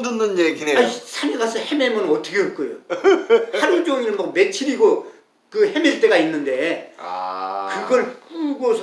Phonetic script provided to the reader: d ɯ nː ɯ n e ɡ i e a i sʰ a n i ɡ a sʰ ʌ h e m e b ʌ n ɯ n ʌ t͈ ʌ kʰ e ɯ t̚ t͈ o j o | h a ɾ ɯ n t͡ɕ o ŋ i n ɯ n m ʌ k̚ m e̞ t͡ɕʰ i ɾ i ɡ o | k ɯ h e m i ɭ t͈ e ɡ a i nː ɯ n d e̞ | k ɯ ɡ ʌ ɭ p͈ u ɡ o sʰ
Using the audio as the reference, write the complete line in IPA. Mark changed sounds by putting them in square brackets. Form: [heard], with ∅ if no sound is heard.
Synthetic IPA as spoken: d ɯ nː ɯ n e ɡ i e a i sʰ a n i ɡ a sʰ ʌ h e m e [m] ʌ n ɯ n ʌ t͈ ʌ kʰ e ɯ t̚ [k͈] o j o | h a ɾ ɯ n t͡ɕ o ŋ i n ɯ n m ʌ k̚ m e̞ t͡ɕʰ i ɾ i ɡ o | k ɯ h e m i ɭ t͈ e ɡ a i nː ɯ n d e̞ | k ɯ ɡ ʌ ɭ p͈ u ɡ o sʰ